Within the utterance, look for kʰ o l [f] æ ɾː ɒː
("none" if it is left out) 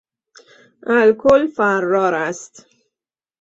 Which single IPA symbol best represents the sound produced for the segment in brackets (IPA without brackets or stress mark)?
f